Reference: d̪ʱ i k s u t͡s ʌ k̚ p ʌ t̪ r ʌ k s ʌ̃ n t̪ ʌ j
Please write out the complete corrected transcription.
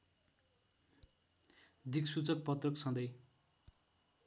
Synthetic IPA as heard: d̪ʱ i k s u t͡s ʌ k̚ p ʌ t̪ r ʌ k s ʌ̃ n d̪ ʌ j